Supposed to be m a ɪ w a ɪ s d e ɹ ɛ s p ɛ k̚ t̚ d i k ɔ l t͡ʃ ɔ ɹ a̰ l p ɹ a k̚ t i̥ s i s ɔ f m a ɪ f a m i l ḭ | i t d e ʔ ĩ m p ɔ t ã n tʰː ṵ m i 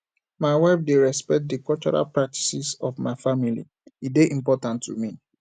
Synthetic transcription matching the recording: m a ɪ w a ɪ f d e ɹ ɛ s p ɛ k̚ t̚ d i k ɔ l t͡ʃ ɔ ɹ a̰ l p ɹ a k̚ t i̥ s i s ɔ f m a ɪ f a m i l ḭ | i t d e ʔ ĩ m p ɔ t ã n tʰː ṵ m i